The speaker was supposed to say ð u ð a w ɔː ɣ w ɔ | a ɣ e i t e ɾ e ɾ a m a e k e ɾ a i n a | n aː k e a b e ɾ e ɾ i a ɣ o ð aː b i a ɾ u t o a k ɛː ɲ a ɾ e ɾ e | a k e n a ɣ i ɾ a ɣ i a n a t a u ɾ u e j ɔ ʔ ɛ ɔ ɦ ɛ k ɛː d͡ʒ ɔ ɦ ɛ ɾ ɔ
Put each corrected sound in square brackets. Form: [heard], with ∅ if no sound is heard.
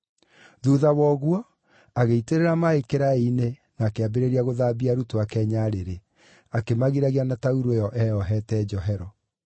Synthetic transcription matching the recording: ð u ð a w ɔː ɣ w ɔ | a ɣ e i t e ɾ e ɾ a m a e k e ɾ a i n [e] | n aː k e a b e ɾ e ɾ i a ɣ o ð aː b i a ɾ u t o a k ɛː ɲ a ɾ e ɾ e | a k e [m] a ɣ i ɾ a ɣ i a n a t a u ɾ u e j ɔ ʔ ɛ ɔ ɦ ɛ [t] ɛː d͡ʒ ɔ ɦ ɛ ɾ ɔ